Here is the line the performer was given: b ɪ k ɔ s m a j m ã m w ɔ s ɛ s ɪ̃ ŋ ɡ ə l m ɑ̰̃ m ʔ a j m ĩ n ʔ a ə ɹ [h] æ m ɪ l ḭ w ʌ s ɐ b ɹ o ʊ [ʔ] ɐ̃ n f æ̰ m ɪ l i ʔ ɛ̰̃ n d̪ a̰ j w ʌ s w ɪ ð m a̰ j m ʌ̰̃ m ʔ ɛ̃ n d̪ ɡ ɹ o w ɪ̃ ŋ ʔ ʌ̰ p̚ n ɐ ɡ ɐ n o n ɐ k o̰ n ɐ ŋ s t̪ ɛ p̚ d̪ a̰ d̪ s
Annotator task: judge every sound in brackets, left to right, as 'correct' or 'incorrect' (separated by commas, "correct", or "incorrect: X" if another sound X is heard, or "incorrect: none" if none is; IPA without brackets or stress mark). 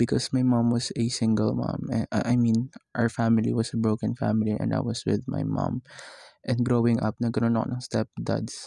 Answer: incorrect: f, incorrect: k